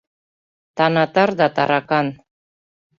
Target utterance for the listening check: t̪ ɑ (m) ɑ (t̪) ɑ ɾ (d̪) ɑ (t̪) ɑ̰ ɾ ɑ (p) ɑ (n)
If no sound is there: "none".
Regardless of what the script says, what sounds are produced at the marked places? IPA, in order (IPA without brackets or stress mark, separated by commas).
n, t̪, d̪, t̪, k, n